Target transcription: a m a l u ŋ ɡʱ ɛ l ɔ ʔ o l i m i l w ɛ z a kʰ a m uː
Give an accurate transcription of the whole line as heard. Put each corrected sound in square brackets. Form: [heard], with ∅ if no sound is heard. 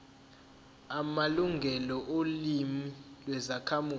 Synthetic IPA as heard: a m a l u ŋ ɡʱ ɛ l ɔ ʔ o l i m i l w ɛ z a kʰ a m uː

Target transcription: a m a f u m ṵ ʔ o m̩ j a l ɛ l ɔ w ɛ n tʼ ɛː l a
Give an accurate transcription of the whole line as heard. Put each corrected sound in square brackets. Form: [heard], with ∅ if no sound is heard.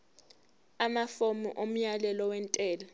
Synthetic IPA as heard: a m a f [o] m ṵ ʔ o m̩ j a l ɛ l ɔ w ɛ n tʼ ɛː l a

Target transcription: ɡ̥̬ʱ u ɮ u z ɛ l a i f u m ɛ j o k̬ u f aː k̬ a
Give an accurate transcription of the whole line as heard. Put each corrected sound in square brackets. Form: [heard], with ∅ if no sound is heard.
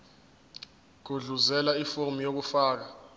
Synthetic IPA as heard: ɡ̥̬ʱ u ɮ u z ɛ l a i f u m [i] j o k̬ u f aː k̬ a

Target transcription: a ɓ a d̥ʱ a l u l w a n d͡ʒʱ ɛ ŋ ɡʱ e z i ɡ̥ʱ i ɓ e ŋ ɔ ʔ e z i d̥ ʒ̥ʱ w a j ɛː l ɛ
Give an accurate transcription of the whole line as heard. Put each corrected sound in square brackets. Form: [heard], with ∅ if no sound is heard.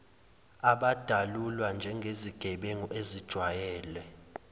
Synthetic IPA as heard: a ɓ a d̥ʱ a l u l w a n d͡ʒʱ ɛ ŋ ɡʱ e z i ɡ̥ʱ [ɛ] ɓ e ŋ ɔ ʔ e z i d̥ ʒ̥ʱ w a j ɛː l ɛ

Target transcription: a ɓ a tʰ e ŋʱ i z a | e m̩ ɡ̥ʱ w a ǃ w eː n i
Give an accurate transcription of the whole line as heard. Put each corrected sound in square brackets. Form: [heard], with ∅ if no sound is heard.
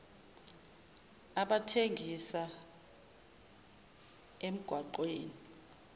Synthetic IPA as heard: a ɓ a tʰ e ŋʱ i [s] a | e m̩ ɡ̥ʱ w a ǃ w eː n i

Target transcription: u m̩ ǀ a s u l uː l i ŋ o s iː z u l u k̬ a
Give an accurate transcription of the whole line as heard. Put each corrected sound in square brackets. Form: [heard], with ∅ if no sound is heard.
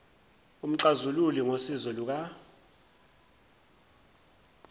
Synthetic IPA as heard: u m̩ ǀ a [z] u l [u] l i ŋ o s [i] z [ɔ] l u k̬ a

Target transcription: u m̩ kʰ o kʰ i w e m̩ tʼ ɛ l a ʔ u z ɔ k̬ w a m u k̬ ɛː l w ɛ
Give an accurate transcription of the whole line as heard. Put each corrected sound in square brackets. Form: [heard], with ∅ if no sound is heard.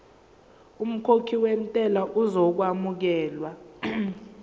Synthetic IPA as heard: u m̩ kʰ o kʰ i w e m̩ tʼ ɛ l a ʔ u z ɔ k̬ w a m u k̬ ɛː l w [a]

